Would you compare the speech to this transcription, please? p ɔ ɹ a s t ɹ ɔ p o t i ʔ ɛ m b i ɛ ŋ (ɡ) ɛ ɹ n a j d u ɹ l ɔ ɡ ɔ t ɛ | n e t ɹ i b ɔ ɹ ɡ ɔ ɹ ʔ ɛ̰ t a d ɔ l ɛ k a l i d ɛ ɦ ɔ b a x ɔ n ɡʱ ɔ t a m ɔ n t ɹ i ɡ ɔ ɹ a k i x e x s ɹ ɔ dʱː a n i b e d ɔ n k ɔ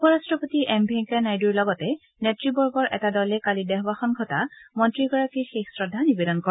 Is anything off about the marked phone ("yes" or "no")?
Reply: yes